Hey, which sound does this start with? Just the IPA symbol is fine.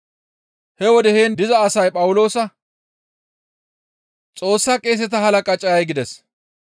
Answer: h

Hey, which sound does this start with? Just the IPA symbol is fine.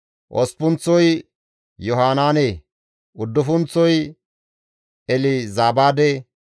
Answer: ʔ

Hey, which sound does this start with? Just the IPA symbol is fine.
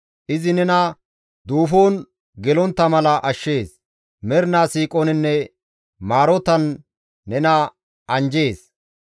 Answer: ʔ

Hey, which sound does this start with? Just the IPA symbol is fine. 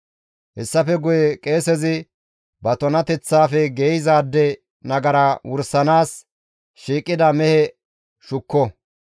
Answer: h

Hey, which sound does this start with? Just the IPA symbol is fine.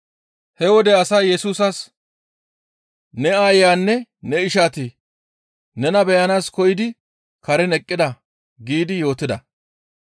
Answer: h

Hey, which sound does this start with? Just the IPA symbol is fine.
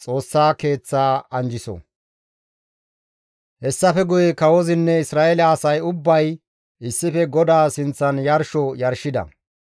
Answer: t͡sʼ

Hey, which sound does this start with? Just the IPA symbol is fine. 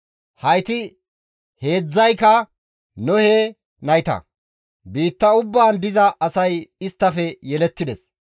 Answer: h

